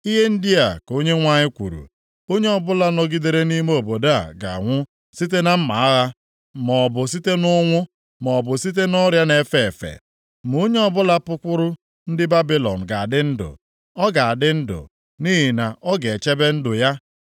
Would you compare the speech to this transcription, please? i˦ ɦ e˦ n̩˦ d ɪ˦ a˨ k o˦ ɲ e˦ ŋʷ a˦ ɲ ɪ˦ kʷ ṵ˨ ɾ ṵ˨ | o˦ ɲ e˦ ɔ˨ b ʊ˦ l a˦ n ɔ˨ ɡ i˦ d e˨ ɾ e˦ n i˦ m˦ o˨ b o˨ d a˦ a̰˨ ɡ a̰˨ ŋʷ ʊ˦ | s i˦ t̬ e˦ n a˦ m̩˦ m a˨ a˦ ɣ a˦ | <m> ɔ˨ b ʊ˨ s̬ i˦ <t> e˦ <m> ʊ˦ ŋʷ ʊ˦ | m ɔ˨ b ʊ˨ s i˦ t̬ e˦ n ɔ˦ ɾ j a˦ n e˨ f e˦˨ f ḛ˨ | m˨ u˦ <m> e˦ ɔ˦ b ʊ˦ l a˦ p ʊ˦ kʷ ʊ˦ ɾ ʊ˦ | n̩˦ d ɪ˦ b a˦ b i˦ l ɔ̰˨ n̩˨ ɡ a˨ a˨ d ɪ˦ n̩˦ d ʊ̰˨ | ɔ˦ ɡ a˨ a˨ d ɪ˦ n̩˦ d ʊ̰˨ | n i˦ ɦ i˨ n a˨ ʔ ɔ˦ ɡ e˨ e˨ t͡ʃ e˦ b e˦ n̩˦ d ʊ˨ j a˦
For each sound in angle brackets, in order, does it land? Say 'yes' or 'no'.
yes, yes, no, no

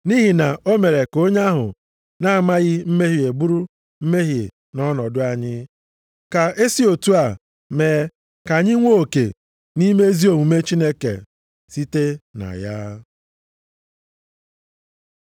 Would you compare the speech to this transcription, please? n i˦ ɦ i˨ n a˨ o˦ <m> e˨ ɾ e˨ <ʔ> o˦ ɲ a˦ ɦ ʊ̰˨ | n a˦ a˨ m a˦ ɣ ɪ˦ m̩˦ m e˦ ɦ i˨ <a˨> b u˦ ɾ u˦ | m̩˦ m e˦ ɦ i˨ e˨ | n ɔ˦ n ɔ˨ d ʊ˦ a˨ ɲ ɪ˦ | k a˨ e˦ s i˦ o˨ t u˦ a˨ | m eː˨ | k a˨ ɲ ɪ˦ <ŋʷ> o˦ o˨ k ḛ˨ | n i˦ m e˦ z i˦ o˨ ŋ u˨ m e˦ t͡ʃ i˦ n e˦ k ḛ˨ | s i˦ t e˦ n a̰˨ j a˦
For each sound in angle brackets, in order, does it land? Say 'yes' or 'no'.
yes, no, no, yes

